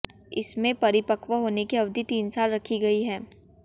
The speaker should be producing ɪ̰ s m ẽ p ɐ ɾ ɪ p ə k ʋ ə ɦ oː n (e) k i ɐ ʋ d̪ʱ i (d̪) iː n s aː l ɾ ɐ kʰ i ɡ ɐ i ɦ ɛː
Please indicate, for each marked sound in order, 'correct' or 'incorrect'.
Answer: correct, incorrect

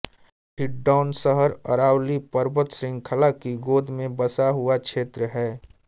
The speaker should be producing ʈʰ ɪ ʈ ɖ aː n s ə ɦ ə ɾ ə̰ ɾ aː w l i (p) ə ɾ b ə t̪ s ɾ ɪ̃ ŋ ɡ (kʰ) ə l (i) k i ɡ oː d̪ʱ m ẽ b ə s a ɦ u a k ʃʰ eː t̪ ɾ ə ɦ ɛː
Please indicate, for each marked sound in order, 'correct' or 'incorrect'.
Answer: correct, correct, incorrect

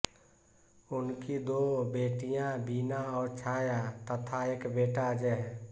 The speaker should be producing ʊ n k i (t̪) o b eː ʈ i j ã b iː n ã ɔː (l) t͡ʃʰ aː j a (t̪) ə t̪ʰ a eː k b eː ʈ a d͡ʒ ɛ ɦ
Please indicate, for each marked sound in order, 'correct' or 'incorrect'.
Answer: incorrect, incorrect, correct

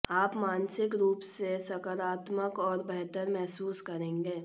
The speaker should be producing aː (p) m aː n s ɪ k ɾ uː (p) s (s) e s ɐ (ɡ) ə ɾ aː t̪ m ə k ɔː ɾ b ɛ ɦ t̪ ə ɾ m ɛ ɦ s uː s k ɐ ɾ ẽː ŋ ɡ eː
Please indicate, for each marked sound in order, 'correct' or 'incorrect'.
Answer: correct, correct, correct, incorrect

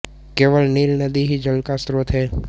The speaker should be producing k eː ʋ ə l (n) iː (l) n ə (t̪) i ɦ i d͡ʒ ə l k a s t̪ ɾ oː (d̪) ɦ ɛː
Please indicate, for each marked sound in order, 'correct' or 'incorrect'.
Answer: correct, correct, incorrect, incorrect

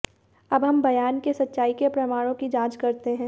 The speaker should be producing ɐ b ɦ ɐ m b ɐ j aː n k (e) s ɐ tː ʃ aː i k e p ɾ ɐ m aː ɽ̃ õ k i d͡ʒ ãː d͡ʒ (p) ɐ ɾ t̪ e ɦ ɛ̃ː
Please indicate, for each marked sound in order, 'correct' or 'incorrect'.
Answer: correct, incorrect

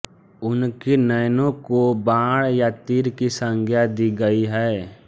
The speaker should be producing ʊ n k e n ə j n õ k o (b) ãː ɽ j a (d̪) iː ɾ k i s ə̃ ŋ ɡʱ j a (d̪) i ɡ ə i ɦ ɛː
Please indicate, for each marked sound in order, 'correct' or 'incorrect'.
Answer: correct, incorrect, correct

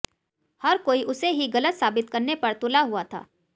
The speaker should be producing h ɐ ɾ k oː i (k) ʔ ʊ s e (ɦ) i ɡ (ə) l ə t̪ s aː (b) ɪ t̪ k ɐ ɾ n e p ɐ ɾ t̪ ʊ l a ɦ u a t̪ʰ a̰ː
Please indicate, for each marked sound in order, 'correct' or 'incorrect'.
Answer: incorrect, correct, incorrect, correct

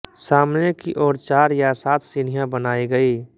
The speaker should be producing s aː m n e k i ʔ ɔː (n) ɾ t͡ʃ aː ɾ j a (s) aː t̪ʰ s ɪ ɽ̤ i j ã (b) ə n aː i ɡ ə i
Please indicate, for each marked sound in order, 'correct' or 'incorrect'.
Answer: incorrect, correct, correct

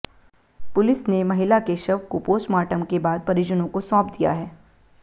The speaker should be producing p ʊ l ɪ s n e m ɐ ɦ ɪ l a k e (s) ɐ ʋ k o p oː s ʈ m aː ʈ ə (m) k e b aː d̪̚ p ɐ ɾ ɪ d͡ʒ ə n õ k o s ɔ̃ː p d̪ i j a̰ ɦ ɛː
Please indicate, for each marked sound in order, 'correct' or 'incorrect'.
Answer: incorrect, correct

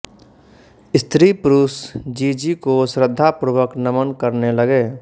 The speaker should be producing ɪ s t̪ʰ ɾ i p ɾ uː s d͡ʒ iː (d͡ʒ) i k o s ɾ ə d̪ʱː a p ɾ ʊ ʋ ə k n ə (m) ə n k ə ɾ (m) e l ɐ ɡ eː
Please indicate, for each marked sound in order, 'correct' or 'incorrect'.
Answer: correct, correct, incorrect

